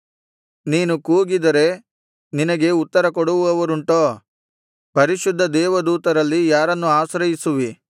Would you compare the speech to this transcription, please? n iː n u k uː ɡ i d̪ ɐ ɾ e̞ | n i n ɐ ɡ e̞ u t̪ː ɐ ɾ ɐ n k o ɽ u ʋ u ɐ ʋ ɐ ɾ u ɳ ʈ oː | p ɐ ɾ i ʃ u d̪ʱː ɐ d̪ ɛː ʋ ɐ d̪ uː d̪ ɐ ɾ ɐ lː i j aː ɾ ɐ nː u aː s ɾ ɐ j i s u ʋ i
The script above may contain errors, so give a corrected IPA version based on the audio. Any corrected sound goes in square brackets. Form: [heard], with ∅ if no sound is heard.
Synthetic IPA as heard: n iː n u k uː ɡ i d̪ ɐ ɾ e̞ | n i n ɐ ɡ e̞ u t̪ː ɐ ɾ ɐ [∅] k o ɽ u ʋ u ɐ ʋ ɐ ɾ u ɳ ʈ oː | p ɐ ɾ i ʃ u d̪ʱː ɐ d̪ ɛː ʋ ɐ d̪ uː [t̪] ɐ ɾ ɐ lː i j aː ɾ ɐ nː u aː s ɾ ɐ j i s u ʋ i